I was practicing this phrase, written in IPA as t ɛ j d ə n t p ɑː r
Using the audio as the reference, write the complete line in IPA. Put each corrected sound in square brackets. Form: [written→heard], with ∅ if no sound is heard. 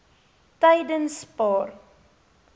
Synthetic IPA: t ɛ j d ə n [t→s] p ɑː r